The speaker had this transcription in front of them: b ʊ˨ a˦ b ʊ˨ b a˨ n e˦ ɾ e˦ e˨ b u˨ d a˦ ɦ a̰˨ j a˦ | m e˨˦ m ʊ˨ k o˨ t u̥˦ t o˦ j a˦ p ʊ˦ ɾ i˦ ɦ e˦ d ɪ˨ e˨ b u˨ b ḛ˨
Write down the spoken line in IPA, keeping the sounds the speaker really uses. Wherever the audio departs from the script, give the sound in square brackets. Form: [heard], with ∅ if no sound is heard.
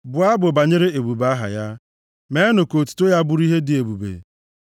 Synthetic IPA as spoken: b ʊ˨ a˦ b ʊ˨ b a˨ [ɲ] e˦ ɾ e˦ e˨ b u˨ [b] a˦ ɦ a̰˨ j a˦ | m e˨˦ [n] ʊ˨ k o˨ t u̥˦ t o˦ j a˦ [b] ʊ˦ ɾ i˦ ɦ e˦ d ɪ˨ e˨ b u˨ b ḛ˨